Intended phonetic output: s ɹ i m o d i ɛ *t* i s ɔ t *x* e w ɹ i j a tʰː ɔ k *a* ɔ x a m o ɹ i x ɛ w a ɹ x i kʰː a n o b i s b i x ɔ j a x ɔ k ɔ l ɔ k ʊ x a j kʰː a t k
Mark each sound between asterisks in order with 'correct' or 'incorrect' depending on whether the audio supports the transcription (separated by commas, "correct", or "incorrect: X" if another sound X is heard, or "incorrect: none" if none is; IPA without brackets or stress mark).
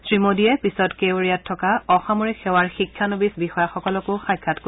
incorrect: p, incorrect: k, correct